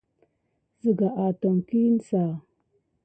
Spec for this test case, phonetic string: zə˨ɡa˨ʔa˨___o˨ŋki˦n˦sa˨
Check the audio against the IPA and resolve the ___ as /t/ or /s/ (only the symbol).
t